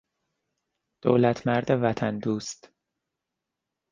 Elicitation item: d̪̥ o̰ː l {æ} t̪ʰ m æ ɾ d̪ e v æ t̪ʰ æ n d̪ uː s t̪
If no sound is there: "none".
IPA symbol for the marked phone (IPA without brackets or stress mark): æ